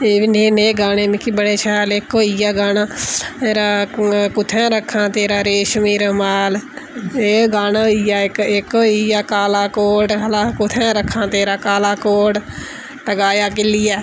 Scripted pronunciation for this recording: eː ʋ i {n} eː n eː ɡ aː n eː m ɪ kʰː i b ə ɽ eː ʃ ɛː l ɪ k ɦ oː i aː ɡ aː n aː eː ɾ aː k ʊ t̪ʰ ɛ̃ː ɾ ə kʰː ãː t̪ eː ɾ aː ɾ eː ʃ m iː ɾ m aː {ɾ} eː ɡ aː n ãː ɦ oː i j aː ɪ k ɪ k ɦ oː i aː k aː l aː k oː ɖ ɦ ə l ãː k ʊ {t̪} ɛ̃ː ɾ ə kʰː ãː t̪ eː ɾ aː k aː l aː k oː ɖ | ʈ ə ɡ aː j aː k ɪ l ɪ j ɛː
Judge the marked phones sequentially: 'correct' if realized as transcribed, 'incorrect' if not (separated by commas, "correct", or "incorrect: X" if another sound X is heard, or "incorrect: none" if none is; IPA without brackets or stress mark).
correct, incorrect: l, incorrect: t̪ʰ